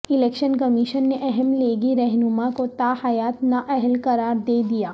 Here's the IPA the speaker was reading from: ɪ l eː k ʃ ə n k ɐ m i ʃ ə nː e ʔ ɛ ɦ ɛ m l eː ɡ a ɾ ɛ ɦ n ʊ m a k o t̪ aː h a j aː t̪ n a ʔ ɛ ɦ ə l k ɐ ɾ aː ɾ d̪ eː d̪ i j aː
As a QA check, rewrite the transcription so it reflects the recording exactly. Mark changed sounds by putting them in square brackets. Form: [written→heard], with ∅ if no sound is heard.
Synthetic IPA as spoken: ɪ l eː k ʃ ə n k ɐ m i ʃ ə nː e ʔ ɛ ɦ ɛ m l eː ɡ [a→i] ɾ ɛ ɦ n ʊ m a k o t̪ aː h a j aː t̪ n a ʔ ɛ ɦ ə l k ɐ ɾ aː ɾ d̪ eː d̪ i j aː